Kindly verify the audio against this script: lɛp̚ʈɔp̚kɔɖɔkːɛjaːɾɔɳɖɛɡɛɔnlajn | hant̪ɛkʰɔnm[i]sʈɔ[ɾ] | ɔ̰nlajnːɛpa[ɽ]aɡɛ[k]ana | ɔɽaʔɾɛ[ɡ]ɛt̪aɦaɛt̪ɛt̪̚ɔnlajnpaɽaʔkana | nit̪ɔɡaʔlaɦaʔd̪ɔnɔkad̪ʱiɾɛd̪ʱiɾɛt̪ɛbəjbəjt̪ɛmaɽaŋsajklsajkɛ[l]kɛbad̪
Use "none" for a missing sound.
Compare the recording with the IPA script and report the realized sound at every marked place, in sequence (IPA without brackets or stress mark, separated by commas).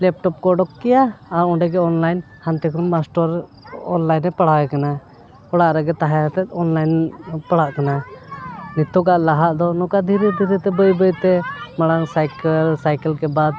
a, ɾ, ɽ, k, ɡ, l